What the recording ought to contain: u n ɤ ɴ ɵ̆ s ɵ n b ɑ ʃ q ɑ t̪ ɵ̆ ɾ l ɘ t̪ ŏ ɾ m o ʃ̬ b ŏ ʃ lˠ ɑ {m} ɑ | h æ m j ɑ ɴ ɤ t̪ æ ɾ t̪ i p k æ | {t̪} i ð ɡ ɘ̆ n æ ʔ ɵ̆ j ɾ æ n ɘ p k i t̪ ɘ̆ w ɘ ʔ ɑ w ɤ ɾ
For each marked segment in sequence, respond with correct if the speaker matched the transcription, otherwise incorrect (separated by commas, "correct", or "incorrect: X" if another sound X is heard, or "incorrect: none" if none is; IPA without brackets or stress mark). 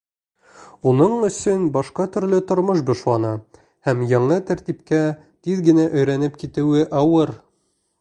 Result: incorrect: n, correct